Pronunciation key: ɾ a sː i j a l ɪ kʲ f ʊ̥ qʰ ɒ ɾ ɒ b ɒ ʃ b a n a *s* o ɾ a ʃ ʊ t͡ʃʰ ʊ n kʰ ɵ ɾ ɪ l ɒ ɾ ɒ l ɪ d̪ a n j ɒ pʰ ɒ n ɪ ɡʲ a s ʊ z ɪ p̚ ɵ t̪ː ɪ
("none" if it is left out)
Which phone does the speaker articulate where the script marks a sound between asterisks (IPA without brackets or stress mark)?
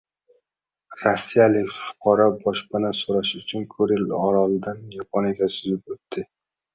s